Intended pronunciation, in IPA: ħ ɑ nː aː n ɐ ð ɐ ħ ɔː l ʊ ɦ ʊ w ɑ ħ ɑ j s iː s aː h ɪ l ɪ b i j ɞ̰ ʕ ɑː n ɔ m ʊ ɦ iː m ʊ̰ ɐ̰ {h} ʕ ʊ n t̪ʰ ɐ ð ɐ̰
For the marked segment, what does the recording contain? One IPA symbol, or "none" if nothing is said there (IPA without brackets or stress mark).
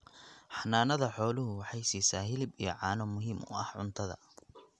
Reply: h